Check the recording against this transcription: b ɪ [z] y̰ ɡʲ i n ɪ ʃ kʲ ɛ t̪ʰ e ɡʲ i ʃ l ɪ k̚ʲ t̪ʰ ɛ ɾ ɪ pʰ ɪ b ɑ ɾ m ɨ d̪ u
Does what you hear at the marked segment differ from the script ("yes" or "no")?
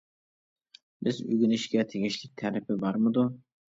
no